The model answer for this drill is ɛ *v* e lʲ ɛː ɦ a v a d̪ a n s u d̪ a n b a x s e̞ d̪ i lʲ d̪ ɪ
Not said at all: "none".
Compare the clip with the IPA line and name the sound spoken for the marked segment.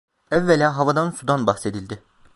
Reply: vː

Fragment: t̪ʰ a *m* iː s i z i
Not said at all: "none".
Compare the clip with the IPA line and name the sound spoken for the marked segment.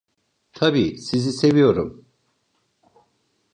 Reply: b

